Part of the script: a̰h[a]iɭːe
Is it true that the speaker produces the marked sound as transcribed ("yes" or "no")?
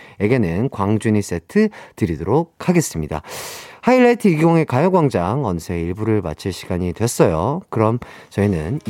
yes